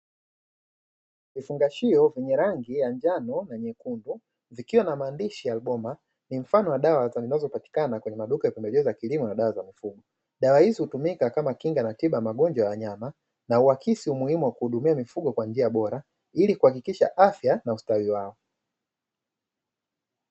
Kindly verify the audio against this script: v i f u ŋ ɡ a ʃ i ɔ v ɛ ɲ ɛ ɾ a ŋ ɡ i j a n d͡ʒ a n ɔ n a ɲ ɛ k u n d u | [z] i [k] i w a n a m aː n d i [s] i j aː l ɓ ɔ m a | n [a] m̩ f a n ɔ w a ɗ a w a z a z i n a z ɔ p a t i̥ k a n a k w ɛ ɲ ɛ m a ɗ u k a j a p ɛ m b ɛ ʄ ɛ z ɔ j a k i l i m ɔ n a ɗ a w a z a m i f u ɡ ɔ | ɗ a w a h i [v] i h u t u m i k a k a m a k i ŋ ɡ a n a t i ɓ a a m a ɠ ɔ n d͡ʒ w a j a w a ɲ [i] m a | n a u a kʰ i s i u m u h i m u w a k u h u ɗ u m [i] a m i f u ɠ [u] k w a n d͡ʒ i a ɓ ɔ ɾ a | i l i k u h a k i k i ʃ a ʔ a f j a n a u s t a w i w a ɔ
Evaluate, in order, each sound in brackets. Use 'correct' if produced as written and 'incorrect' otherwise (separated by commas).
incorrect, correct, incorrect, incorrect, incorrect, incorrect, correct, incorrect